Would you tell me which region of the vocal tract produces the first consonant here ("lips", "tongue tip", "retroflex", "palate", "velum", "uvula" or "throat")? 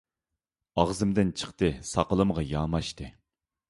uvula